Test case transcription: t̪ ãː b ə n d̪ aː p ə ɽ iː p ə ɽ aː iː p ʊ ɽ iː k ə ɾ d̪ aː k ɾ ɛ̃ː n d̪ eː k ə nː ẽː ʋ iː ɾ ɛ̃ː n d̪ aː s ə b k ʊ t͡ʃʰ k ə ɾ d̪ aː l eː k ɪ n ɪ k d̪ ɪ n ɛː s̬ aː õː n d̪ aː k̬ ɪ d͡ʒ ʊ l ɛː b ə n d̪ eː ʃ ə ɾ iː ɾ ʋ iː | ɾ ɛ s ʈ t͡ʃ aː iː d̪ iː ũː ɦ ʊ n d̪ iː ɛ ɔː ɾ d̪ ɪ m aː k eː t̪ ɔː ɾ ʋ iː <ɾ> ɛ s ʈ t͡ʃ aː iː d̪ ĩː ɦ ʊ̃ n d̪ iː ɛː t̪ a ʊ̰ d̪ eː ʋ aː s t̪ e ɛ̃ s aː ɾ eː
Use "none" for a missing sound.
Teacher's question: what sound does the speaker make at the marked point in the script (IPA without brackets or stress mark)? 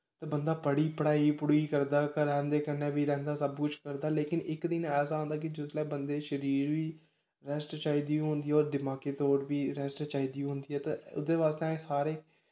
ɾ